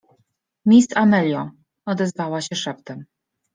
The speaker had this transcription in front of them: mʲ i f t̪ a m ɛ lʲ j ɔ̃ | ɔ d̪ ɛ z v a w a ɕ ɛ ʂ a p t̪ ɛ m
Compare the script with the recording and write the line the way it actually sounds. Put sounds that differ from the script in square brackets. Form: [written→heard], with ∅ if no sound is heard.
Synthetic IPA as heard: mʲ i [f→s] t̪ a m ɛ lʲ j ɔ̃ | ɔ d̪ ɛ z v a w a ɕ ɛ ʂ [a→ɛ] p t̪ ɛ m